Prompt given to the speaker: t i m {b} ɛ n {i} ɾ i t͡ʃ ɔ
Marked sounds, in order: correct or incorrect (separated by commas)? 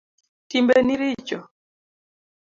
correct, correct